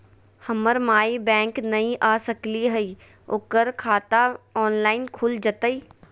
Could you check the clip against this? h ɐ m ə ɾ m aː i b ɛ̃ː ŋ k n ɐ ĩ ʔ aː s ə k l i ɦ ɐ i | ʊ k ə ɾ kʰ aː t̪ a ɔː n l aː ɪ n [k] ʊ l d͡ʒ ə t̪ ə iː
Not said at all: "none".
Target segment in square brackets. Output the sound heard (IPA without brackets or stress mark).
kʰ